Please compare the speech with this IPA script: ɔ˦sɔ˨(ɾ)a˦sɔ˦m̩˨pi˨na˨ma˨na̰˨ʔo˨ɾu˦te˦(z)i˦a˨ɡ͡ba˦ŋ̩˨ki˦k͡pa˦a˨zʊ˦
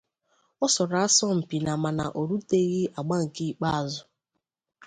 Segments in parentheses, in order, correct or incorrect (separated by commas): correct, incorrect